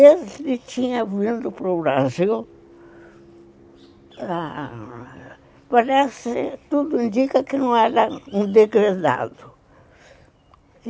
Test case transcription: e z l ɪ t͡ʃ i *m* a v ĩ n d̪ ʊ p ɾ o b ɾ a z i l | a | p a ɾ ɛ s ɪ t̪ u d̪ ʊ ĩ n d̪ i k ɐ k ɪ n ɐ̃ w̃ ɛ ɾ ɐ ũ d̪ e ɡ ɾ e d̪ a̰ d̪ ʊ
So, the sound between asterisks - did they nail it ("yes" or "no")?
no